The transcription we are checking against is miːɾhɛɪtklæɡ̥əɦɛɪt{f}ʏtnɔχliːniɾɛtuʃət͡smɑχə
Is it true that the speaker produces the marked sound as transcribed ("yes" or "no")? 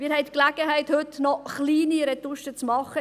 no